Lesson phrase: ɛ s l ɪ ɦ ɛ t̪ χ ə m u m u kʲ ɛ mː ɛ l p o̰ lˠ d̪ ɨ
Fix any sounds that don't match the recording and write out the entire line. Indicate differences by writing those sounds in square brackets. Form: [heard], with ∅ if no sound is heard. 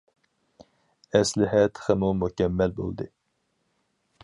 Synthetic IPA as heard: ɛ s l ɪ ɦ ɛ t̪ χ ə m u m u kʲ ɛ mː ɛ l [b] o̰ lˠ d̪ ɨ